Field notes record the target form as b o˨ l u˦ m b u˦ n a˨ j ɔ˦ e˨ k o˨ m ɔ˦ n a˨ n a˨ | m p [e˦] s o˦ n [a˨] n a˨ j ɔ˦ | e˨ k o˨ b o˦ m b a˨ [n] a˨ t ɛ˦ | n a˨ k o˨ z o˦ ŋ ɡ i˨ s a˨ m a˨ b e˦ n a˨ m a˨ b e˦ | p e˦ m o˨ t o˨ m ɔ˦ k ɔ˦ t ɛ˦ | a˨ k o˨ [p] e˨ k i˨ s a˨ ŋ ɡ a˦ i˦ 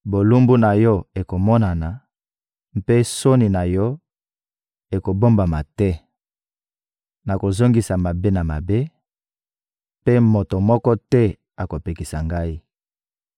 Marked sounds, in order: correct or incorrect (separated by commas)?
correct, incorrect, incorrect, correct